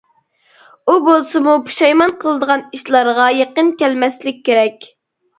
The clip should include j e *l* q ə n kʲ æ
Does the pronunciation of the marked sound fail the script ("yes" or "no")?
yes